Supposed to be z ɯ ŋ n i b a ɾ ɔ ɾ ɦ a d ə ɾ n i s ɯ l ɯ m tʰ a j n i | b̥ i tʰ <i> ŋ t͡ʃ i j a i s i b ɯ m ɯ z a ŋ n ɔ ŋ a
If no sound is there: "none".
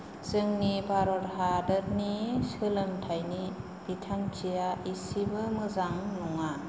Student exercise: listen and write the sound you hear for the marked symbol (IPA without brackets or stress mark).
a